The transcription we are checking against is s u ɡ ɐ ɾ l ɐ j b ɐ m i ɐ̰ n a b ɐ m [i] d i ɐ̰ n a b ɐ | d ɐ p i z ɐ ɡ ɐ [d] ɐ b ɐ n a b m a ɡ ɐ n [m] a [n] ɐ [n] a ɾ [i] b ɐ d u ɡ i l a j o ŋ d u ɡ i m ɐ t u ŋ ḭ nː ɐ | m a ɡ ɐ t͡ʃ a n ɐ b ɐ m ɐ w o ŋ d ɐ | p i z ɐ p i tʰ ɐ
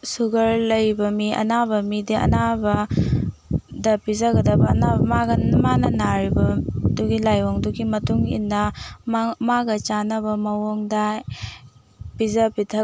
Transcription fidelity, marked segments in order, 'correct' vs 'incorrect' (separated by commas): correct, correct, correct, correct, correct, correct